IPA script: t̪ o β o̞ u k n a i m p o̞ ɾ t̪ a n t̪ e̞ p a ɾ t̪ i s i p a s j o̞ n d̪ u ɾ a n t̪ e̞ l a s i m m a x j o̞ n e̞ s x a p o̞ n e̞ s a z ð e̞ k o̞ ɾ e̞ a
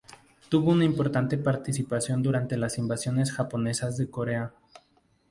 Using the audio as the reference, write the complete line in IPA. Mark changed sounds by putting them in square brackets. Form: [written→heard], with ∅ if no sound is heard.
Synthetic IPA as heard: t̪ [o→u] β o̞ u [k→∅] n a i m p o̞ ɾ t̪ a n t̪ e̞ p a ɾ t̪ i s i p a s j o̞ n d̪ u ɾ a n t̪ e̞ l a s i m [m→b] a [x→s] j o̞ n e̞ s x a p o̞ n e̞ s a z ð e̞ k o̞ ɾ e̞ a